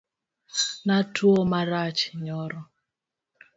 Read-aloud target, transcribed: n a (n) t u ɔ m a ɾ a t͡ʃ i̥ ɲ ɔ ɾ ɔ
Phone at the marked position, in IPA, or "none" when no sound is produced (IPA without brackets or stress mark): none